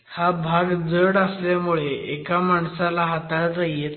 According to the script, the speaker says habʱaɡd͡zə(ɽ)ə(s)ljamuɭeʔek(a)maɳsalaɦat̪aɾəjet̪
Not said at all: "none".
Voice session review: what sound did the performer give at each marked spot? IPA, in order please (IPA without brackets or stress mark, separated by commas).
ɽ, s, a